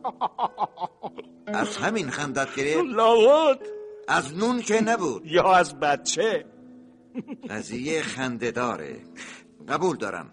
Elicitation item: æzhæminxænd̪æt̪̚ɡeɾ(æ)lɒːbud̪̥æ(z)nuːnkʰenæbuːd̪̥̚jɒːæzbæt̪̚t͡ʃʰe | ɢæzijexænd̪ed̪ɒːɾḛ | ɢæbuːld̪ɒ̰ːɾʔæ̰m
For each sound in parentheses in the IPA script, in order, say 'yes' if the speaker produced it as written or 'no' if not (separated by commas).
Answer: no, yes